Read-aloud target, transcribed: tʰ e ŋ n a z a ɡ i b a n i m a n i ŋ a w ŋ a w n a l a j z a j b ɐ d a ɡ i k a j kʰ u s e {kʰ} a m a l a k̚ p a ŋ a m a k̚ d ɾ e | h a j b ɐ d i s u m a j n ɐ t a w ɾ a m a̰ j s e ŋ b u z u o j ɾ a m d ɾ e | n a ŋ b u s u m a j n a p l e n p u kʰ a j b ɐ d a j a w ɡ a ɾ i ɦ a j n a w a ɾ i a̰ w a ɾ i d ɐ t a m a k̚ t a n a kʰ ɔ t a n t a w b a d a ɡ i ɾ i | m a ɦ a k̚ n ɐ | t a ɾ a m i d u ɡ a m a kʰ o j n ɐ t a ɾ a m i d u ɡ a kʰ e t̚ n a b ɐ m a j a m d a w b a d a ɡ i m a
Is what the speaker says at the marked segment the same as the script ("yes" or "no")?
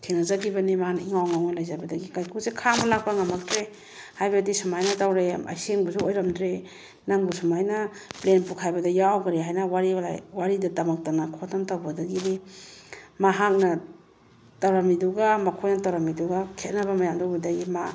yes